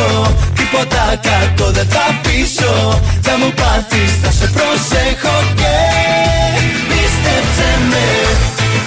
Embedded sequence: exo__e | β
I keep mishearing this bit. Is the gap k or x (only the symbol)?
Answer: k